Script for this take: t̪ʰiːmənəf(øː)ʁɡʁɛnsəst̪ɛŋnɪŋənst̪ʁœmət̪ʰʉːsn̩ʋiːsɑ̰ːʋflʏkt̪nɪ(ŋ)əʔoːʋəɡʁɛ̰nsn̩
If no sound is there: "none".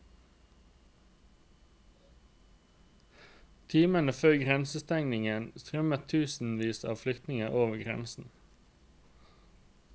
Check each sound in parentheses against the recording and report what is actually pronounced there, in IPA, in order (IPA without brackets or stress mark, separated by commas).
øː, ŋ